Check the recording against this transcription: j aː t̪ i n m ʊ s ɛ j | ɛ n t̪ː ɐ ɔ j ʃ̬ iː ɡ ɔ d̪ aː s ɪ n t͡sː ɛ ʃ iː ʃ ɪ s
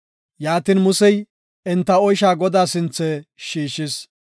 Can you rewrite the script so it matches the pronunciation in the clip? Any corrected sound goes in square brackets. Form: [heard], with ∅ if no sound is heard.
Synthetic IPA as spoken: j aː t̪ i n m ʊ s ɛ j | ɛ n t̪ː ɐ ɔ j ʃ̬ [aː] ɡ ɔ d̪ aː s ɪ n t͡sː ɛ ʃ iː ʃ ɪ s